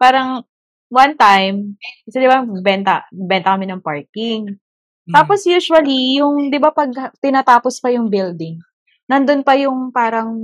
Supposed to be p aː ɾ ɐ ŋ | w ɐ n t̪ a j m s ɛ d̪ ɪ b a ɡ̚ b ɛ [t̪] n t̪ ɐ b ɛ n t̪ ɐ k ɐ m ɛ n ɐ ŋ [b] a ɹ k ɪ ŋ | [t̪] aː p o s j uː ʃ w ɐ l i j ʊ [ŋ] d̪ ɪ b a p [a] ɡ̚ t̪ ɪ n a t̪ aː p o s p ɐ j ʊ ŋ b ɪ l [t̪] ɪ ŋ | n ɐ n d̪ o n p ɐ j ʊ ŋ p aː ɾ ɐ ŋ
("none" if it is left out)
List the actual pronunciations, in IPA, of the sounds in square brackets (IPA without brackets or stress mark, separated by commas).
none, p, t̪, ŋ, ɐ, d̪